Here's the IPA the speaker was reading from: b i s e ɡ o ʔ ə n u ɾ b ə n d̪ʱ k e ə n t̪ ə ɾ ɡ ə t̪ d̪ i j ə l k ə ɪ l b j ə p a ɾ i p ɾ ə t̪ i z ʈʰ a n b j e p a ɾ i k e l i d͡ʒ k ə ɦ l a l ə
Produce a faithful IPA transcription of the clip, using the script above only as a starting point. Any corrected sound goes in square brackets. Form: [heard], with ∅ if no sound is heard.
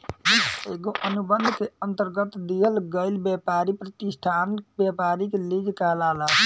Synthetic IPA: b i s e ɡ o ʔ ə n u [∅] b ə n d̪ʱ k e ə n t̪ ə ɾ ɡ ə t̪ d̪ i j ə l [ɡ] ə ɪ l b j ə p a ɾ i p ɾ ə t̪ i [s] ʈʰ a n b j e p a ɾ i k e l i d͡ʒ k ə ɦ l a l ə